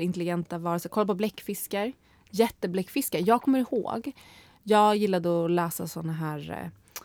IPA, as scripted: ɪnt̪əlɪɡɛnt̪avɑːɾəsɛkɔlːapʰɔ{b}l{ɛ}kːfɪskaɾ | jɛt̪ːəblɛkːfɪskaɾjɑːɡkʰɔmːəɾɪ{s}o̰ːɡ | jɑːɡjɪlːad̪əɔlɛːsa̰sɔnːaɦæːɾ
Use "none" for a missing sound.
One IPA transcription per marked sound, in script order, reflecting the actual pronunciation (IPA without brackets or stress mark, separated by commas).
b, ɛ, h